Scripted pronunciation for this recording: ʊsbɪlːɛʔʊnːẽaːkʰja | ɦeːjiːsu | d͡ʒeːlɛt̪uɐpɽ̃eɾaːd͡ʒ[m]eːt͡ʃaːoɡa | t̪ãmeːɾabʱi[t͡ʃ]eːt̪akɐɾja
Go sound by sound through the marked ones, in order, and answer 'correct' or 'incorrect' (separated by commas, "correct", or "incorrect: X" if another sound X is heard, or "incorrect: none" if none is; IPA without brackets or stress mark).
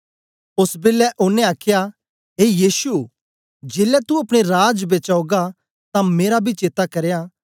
incorrect: b, correct